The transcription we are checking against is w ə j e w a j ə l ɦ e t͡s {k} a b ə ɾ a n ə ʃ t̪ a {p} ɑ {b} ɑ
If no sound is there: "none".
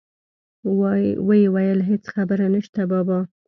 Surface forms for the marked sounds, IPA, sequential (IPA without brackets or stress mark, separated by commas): x, b, b